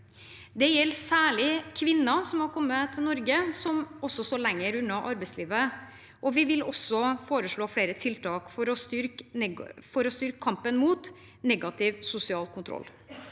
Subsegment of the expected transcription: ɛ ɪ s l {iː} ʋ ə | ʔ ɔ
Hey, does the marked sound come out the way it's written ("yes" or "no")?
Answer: yes